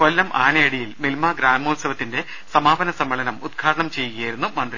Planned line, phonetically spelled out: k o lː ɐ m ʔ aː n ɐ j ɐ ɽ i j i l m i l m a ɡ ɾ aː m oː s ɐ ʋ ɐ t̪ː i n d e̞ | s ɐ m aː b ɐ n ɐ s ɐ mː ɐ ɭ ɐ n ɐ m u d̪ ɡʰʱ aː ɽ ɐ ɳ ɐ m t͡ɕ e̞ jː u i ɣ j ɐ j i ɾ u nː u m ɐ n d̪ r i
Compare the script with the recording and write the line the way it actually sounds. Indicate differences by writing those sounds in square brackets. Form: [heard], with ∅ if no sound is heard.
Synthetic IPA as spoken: k o lː ɐ m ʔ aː n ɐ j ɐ ɽ i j i l m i l m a ɡ ɾ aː m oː s ɐ ʋ ɐ t̪ː i n d e̞ | s ɐ m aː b ɐ n ɐ s ɐ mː ɐ ɭ ɐ n ɐ m u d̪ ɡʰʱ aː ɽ ɐ ɳ ɐ m t͡ɕ e̞ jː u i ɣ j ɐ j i ɾ u nː u m ɐ n d̪ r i

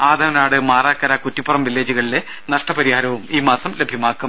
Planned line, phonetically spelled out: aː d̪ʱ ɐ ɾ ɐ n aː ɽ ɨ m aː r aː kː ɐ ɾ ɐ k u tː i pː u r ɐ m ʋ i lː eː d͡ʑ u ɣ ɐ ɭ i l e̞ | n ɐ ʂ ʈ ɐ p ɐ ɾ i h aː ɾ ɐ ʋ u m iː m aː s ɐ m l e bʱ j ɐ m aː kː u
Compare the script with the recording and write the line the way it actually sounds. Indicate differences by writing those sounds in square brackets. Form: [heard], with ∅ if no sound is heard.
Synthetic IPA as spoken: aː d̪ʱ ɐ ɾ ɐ n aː ɽ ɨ m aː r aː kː ɐ ɾ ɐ k u tː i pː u r ɐ m ʋ i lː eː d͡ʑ u ɣ ɐ ɭ i l e̞ | n ɐ ʂ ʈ ɐ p ɐ ɾ i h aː ɾ ɐ ʋ u m iː m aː s ɐ m l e bʱ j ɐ m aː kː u

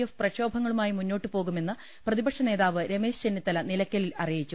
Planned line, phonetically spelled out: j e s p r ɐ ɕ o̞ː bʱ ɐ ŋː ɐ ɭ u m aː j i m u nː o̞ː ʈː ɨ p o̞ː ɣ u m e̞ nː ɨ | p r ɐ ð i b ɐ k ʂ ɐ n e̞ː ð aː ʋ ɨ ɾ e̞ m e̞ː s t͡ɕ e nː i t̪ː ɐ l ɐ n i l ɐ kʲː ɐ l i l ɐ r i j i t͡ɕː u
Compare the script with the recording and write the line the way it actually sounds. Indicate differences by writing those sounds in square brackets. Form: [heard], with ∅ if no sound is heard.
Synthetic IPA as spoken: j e [f] p r ɐ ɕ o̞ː bʱ ɐ ŋː ɐ ɭ u m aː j i m u nː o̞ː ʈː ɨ p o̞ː ɣ u m e̞ nː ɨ | p r ɐ ð i b ɐ k ʂ ɐ n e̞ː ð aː ʋ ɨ ɾ e̞ m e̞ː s t͡ɕ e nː i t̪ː ɐ l ɐ n i l ɐ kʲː ɐ l i l ɐ r i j i t͡ɕː u

